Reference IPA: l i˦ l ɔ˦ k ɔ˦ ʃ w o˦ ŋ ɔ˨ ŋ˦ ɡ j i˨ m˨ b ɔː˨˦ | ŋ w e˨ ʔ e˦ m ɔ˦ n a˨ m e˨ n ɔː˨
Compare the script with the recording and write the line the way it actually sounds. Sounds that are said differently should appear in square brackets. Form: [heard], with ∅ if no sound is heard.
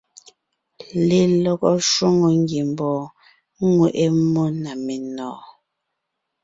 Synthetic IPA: l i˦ l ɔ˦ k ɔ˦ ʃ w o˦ ŋ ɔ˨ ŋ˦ ɡ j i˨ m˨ b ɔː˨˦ | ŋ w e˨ ʔ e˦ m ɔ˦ n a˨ m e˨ n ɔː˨